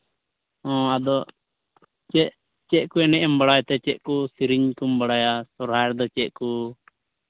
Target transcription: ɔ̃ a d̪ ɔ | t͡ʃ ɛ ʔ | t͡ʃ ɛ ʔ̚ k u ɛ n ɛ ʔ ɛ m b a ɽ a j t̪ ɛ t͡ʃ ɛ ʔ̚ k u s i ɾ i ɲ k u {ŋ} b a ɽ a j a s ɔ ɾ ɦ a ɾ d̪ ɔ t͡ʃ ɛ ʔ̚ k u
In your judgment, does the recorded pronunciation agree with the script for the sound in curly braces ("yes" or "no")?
no